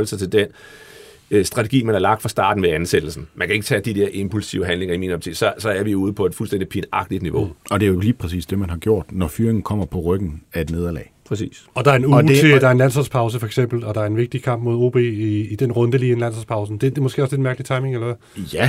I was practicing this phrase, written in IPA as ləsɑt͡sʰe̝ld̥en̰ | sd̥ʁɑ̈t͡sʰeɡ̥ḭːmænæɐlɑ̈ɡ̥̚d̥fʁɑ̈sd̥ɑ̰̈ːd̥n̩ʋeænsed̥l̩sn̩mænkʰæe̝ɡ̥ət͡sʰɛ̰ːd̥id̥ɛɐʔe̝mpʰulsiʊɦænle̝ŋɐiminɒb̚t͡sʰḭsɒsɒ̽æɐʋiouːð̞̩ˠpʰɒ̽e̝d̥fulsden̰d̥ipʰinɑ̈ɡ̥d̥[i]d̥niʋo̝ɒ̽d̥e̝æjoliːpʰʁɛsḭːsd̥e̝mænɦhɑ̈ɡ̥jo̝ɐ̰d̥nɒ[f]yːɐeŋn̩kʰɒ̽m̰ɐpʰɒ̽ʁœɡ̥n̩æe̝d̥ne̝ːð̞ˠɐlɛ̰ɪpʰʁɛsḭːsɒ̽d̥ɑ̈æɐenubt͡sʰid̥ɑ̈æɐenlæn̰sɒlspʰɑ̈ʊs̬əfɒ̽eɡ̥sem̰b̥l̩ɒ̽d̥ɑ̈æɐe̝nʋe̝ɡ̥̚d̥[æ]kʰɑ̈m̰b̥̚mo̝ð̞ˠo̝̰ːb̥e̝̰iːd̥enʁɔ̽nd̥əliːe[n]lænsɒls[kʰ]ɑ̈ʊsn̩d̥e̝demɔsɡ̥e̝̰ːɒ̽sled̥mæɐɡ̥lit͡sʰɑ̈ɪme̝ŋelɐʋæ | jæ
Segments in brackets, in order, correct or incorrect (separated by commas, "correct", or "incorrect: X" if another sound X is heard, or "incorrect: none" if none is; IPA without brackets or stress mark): correct, correct, incorrect: i, correct, incorrect: pʰ